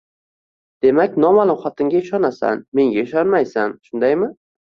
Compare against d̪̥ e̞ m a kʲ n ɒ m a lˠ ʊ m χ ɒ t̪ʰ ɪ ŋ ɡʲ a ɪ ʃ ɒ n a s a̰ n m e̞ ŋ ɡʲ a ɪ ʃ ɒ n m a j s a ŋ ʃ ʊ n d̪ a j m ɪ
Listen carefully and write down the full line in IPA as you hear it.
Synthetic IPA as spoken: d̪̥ e̞ m a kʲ n ɒ m a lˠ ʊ m χ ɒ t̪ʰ ɪ ŋ ɡʲ a ɪ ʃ ɒ n a s a̰ n m e̞ ŋ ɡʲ a ɪ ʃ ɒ n m a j s a n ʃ ʊ n d̪ a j m ɪ